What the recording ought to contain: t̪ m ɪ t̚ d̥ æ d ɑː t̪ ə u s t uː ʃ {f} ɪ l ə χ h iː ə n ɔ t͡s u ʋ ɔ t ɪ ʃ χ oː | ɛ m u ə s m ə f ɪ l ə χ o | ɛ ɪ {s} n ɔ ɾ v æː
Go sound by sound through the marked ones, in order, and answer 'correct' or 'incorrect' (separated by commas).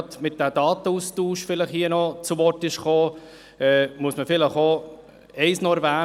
correct, correct